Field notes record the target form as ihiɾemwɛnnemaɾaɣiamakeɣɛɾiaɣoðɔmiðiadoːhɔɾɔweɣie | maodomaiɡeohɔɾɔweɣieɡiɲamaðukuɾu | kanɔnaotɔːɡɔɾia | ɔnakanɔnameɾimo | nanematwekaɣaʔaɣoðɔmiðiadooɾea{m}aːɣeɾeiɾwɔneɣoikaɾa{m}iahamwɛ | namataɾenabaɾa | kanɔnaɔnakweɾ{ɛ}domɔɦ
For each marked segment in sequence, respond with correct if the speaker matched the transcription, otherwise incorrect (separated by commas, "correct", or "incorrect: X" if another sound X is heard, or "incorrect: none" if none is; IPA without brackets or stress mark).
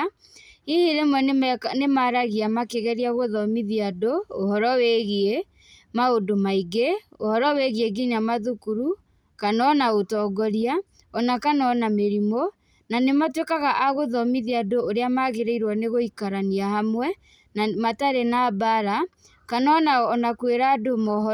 correct, incorrect: n, incorrect: a